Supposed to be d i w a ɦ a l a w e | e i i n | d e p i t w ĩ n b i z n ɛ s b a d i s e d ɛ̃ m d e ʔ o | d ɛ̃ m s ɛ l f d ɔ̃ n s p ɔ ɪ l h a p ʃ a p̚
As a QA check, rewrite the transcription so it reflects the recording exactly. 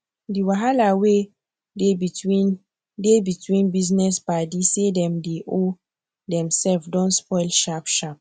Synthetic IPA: d i w a ɦ a l a w e | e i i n | d e b i t w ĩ n b i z n ɛ s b a d i s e d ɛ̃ m d e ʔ o | d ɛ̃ m s ɛ l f d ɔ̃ n s p ɔ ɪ l ʃ a p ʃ a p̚